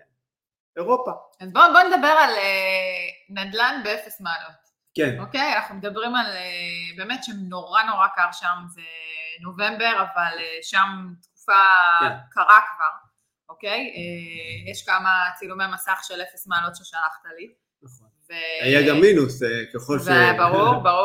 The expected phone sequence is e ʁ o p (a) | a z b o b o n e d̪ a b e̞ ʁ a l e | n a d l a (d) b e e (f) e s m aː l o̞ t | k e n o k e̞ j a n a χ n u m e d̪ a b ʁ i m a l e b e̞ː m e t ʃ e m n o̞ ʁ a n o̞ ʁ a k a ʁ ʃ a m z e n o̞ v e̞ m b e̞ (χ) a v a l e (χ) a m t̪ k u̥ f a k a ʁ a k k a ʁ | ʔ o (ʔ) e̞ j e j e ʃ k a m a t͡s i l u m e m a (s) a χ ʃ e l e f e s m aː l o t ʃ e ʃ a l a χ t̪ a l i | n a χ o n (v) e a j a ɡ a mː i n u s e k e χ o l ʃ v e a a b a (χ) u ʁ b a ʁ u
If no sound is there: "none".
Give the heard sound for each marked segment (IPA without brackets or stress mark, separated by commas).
a, n, f, ʁ, ʃ, k, s, v, ʁ